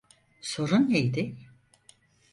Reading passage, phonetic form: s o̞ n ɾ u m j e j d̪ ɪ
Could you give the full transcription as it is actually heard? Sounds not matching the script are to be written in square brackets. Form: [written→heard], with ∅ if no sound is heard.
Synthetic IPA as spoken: s o̞ [n→∅] ɾ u [m→n] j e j d̪ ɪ